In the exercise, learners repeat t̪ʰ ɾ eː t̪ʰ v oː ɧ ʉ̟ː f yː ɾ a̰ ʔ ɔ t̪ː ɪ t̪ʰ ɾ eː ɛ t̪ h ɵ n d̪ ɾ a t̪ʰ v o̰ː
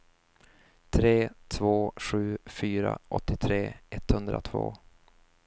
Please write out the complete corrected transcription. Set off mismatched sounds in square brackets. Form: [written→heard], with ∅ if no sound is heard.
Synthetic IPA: t̪ʰ ɾ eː t̪ʰ v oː ɧ ʉ̟ː f yː ɾ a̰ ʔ ɔ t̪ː ɪ t̪ʰ ɾ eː ɛ t̪ h ɵ n d̪ ɾ a t̪ʰ v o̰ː